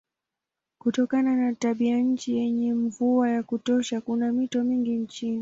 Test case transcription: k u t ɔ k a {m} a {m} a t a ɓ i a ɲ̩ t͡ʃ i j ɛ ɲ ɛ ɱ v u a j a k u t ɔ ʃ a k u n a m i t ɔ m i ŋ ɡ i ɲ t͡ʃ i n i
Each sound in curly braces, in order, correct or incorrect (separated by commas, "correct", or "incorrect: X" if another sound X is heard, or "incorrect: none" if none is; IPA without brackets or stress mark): incorrect: n, incorrect: n